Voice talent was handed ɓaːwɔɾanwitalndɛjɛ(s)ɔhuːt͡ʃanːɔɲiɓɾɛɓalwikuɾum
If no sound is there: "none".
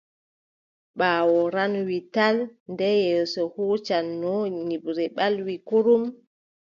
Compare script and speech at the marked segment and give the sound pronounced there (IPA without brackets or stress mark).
s